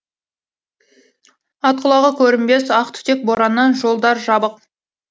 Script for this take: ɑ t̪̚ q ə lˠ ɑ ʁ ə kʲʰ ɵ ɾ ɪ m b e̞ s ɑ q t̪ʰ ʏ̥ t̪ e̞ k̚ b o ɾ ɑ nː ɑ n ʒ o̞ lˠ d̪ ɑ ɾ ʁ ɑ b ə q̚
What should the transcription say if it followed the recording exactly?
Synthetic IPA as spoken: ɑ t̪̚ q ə lˠ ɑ ʁ ə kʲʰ ɵ ɾ ɪ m b e̞ s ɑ q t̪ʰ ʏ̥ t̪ e̞ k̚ b o ɾ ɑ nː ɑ n ʒ o̞ lˠ d̪ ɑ ɾ ʒ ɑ b ə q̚